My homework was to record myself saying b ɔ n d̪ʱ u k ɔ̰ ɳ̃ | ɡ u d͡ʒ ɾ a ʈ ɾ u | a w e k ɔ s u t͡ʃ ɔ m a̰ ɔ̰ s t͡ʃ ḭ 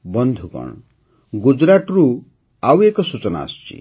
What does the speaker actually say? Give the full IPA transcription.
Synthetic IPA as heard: b ɔ n d̪ʱ u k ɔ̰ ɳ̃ | ɡ u d͡ʒ ɾ a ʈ ɾ u | a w e k ɔ s u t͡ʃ ɔ n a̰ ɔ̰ s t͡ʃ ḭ